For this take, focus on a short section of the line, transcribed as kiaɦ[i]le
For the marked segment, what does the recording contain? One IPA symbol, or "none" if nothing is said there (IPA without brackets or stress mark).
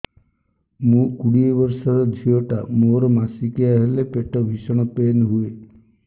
e